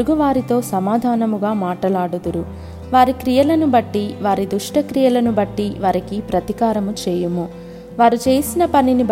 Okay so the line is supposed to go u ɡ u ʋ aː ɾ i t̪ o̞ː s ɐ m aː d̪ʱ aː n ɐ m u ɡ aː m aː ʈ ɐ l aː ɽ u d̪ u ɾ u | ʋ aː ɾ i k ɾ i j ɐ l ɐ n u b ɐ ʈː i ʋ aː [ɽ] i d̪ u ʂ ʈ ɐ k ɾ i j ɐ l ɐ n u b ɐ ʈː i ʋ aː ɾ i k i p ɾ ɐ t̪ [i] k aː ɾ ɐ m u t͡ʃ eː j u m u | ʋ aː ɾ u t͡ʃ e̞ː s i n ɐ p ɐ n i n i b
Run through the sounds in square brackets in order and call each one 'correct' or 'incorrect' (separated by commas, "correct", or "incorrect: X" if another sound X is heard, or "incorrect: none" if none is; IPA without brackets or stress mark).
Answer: incorrect: ɾ, correct